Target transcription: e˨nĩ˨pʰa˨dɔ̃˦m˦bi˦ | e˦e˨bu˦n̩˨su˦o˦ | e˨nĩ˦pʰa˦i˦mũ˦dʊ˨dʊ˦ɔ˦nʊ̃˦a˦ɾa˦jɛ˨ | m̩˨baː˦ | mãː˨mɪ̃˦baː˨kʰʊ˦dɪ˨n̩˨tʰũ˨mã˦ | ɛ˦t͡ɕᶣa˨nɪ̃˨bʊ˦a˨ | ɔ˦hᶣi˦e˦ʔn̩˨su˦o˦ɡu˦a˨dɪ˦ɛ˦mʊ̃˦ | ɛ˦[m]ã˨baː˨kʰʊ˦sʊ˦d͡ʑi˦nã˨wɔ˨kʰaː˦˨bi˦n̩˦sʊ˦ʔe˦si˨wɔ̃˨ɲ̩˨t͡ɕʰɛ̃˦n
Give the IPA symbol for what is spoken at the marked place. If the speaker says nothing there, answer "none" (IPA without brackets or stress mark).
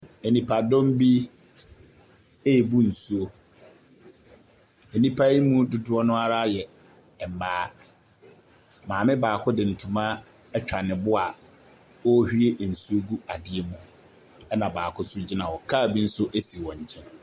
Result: n